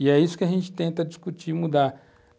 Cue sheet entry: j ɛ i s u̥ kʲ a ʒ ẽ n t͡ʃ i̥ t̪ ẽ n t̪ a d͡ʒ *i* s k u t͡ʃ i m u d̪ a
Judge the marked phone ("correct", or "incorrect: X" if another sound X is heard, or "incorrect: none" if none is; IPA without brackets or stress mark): correct